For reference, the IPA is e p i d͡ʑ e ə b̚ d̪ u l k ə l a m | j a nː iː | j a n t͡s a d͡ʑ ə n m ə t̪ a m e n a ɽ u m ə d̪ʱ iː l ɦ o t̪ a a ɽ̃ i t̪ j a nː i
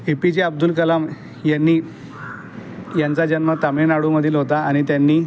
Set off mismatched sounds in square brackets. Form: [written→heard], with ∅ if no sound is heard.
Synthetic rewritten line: e p i d͡ʑ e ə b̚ d̪ u l k ə l a m | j a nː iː | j a n t͡s a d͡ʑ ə n m ə t̪ a m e n a ɽ u m ə d̪ʱ iː l ɦ o t̪ a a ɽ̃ i t̪ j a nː [i→iː]